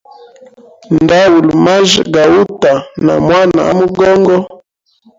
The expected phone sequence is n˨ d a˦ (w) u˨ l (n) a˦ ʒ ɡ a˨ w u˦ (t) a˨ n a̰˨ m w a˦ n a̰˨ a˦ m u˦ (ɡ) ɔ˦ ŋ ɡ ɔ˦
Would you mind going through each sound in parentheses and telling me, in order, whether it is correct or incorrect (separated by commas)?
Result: correct, incorrect, correct, correct